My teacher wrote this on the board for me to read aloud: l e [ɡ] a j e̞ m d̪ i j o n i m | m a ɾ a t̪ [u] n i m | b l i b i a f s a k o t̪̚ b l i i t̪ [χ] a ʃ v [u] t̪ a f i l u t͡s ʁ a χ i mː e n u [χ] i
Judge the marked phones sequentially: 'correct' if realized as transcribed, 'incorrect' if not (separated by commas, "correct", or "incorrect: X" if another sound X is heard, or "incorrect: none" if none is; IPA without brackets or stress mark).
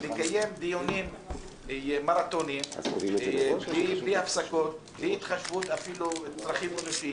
incorrect: k, incorrect: o, correct, correct, incorrect: ʃ